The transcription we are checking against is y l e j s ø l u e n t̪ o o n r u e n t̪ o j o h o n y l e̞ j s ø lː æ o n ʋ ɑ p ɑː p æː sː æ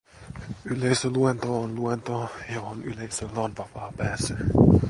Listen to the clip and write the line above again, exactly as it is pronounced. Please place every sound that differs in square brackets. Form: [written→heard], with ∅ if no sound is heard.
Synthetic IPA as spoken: y l e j s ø l u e n t̪ o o n [r→l] u e n t̪ o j o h o n y l e̞ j s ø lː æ o n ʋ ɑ p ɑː p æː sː æ

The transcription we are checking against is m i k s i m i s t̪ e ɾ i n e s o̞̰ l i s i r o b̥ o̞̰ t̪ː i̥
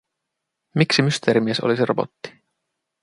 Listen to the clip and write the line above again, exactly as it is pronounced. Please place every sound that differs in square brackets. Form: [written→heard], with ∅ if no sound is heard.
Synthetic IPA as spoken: m i k s i m [i→y] s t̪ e ɾ i [n→m] e s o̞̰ l i s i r o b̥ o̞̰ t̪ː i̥

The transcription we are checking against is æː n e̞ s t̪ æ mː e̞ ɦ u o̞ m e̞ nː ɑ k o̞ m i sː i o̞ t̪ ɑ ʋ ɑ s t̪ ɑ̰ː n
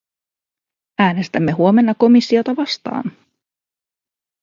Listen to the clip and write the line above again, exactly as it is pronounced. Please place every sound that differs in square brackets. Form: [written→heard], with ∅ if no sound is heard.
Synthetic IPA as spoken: æː n e̞ s t̪ æ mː e̞ ɦ u o̞ m e̞ nː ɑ k o̞ m i sː i o̞ t̪ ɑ ʋ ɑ s t̪ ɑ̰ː n

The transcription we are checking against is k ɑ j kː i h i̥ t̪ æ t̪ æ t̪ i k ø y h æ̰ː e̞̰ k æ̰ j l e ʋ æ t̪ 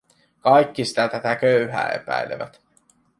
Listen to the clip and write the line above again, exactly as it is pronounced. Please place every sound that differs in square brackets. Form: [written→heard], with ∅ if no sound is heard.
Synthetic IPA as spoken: k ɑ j kː i [h→s] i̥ t̪ æ t̪ æ t̪ [i→æ] k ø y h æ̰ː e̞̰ [k→p] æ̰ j l e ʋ æ t̪

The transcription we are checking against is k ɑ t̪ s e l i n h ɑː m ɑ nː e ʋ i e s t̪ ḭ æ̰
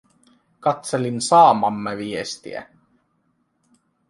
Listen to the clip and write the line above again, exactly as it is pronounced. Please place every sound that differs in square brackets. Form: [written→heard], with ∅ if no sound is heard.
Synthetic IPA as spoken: k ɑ t̪ s e l i n [h→s] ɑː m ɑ [nː→mː] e ʋ i e s t̪ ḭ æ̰

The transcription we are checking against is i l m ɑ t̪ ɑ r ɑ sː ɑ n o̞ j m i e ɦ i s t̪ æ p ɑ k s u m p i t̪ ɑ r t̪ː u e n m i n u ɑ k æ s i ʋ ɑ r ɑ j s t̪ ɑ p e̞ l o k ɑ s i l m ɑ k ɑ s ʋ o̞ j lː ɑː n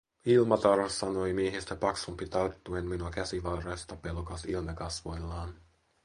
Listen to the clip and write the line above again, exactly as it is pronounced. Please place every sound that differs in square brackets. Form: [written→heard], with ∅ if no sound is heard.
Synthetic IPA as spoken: i l m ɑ t̪ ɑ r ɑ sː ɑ n o̞ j m i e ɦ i s t̪ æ p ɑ k s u m p i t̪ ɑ r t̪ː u e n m i n u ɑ k æ s i ʋ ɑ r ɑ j s t̪ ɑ p e̞ l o k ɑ s i l m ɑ k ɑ s ʋ o̞ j lː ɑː n

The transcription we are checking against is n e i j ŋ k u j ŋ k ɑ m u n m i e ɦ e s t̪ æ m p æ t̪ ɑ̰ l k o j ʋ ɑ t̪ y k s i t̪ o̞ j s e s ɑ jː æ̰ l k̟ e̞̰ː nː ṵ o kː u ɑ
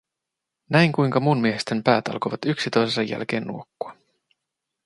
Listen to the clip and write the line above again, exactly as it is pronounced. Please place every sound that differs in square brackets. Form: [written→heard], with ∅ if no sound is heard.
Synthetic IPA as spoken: n [e→æ] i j ŋ k u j ŋ k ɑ m u n m i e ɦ e s t̪ [æ→e] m p [æ→æː] t̪ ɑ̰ l k o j ʋ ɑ t̪ y k s i t̪ o̞ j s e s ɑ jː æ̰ l k̟ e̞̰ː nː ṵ o kː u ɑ

